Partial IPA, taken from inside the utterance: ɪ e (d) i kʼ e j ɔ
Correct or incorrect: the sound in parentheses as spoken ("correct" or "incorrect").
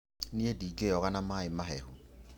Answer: correct